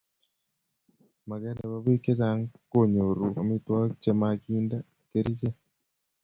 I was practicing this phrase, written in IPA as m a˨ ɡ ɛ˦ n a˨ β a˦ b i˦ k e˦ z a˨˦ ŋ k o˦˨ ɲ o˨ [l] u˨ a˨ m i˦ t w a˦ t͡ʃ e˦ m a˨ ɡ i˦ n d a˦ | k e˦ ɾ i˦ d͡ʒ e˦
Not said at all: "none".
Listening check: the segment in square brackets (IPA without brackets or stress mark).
ɾ